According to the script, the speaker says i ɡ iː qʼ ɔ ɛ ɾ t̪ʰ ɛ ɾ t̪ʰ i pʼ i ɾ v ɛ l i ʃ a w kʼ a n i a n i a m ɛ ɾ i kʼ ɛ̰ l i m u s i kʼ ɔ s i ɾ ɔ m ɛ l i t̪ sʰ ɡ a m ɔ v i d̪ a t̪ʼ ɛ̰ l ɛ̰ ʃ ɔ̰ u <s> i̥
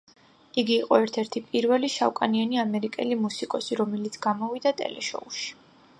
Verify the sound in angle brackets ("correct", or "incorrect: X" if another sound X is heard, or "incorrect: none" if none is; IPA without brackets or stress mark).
incorrect: ʃ